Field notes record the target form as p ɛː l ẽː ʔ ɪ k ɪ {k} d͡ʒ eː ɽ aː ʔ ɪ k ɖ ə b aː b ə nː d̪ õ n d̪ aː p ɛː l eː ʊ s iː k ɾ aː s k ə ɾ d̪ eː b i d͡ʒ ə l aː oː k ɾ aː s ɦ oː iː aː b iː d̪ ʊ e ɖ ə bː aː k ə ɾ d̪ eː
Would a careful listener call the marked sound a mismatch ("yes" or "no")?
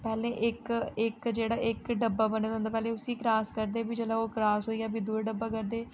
no